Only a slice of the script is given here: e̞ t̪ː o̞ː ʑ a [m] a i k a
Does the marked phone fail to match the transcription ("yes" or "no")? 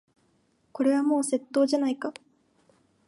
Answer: yes